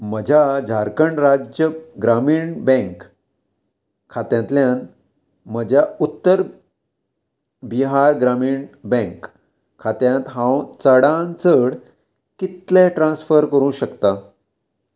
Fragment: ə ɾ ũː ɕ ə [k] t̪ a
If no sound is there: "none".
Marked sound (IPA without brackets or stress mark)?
k